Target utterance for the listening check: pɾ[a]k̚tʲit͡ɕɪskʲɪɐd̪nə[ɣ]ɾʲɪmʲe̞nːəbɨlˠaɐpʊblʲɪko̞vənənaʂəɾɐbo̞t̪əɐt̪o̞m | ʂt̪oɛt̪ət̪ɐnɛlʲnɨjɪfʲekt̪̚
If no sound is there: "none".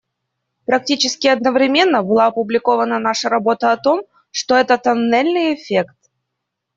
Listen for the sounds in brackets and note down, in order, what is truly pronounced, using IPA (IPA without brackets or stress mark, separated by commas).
ɐ, v